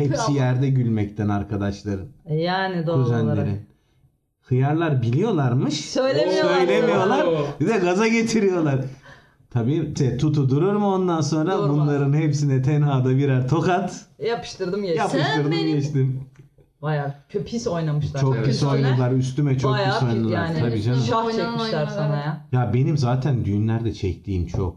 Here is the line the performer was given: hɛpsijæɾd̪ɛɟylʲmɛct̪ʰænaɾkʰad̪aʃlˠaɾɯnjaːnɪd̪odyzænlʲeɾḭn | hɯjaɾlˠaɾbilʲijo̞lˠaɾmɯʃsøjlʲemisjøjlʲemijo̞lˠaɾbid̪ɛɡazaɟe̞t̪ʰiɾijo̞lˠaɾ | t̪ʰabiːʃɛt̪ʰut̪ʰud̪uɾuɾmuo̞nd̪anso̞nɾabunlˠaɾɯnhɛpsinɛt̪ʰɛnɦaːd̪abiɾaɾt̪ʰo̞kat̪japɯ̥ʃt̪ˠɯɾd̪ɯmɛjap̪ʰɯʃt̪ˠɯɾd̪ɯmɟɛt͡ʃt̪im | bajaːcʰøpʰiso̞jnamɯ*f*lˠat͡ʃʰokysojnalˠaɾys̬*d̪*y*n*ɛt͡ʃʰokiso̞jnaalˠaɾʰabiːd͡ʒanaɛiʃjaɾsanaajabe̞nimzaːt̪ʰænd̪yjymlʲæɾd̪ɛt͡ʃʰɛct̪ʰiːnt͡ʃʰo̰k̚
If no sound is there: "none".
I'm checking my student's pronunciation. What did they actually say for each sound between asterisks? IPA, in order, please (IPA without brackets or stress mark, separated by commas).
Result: ʃ, t̪, m